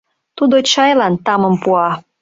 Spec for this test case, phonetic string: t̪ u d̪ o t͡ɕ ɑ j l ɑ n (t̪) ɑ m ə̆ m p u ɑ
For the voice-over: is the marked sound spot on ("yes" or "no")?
yes